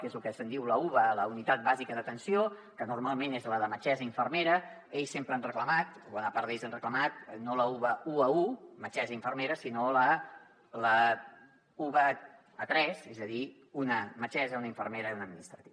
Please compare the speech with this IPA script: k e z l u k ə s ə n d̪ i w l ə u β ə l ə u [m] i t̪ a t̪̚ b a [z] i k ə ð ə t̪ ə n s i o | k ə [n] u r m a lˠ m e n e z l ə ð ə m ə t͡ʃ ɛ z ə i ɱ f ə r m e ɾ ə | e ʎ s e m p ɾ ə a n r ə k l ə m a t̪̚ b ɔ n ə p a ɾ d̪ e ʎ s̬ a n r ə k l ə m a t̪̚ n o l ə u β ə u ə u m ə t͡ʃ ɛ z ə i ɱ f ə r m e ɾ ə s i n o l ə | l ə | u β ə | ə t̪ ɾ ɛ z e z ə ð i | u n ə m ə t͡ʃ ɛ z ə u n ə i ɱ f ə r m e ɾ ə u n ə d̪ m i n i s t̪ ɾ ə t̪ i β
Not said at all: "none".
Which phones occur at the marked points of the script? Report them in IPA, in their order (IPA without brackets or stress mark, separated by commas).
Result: n, z, n